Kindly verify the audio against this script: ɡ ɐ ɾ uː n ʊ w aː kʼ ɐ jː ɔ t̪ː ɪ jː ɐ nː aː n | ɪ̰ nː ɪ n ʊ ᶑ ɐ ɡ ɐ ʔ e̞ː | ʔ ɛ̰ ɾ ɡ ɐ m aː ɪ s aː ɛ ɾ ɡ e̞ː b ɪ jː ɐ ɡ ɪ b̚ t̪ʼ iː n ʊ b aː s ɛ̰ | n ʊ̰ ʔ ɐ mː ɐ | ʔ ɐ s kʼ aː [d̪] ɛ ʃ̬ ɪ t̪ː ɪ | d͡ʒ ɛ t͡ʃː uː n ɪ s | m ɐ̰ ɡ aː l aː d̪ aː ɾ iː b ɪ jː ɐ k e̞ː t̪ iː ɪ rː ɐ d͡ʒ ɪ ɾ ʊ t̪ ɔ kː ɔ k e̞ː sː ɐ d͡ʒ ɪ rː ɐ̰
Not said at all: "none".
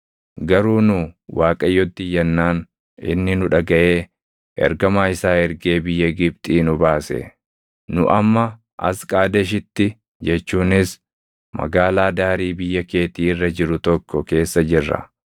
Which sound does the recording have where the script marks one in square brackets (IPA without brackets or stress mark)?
d̪